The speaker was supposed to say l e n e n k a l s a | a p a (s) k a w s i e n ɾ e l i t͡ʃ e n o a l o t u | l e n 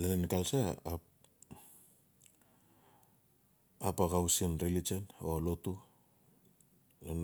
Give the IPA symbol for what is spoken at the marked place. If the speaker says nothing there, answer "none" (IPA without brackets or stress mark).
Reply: none